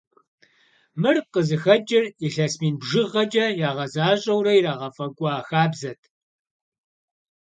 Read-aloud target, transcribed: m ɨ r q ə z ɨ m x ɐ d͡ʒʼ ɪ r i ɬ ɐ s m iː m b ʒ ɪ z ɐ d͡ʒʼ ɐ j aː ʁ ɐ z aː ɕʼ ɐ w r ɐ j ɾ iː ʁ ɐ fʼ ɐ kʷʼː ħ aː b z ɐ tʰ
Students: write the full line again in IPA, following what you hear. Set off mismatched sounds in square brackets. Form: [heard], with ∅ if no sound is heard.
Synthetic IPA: m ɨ r q ə z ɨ [∅] x ɐ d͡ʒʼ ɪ r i ɬ ɐ s m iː [n] b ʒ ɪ [ʁ] ɐ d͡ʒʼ ɐ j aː ʁ ɐ z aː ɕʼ ɐ w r ɐ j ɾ [aː] ʁ ɐ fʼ ɐ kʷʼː [x] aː b z ɐ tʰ